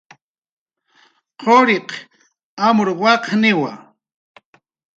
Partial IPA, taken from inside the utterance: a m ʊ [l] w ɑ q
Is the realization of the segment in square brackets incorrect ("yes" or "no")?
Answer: yes